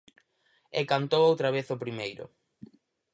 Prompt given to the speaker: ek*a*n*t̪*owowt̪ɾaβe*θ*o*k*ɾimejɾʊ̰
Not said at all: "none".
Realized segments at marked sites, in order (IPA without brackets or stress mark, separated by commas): a, t̪, θ, p